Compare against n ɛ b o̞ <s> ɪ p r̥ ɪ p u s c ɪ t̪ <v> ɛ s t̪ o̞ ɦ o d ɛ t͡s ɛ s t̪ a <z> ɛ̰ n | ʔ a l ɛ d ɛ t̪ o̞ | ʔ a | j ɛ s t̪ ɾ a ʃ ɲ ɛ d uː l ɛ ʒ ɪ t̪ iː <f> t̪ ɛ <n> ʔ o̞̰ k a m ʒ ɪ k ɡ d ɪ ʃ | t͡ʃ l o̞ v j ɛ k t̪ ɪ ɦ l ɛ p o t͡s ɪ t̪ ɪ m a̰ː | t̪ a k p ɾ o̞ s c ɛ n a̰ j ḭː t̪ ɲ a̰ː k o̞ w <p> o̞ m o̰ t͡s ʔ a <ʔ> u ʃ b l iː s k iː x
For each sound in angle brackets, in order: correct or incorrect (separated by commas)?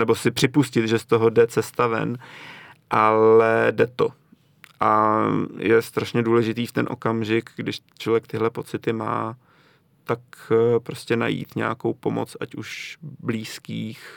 correct, incorrect, incorrect, correct, correct, correct, incorrect